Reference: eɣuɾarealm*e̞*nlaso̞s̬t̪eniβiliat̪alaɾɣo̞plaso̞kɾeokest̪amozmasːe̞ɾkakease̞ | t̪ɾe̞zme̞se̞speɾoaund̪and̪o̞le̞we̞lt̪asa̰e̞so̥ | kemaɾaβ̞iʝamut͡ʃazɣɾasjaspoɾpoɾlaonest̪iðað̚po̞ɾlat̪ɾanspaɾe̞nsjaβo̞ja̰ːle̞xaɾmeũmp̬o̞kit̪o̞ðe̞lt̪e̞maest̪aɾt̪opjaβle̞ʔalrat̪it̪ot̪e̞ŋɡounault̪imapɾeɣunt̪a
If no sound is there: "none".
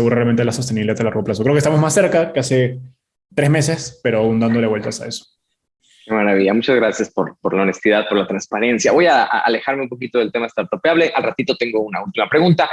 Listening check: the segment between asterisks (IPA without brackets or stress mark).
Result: e̞